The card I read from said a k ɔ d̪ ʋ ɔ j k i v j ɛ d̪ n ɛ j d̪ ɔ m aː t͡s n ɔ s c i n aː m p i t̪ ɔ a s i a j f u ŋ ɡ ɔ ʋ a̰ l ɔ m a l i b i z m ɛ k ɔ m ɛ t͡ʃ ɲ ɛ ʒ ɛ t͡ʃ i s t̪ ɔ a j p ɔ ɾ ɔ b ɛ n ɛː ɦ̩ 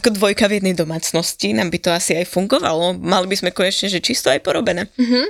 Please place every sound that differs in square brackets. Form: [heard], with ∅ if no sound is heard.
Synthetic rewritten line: a k ɔ d̪ ʋ ɔ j k [a] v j ɛ d̪ n ɛ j d̪ ɔ m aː t͡s n ɔ s c i n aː m [b] i t̪ ɔ a s i a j f u ŋ ɡ ɔ ʋ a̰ l ɔ m a l i b i z m ɛ k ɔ [ɲ] ɛ t͡ʃ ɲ ɛ ʒ ɛ t͡ʃ i s t̪ ɔ a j p ɔ ɾ ɔ b ɛ n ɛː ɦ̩